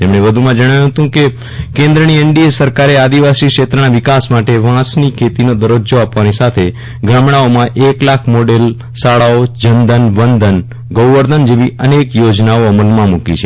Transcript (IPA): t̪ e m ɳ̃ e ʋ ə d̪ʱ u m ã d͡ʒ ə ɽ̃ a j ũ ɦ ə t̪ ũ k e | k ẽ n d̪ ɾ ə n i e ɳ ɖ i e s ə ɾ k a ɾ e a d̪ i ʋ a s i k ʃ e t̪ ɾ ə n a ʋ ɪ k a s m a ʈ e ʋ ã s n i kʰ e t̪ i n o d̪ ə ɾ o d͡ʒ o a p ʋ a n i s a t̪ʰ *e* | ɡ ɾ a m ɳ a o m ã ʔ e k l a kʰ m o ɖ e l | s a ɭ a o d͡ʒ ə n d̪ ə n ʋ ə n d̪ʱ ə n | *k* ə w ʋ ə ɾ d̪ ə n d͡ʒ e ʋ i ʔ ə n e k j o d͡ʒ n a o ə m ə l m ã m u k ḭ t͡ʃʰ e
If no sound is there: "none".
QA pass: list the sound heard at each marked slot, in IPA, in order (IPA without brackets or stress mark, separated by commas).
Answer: e, ɡ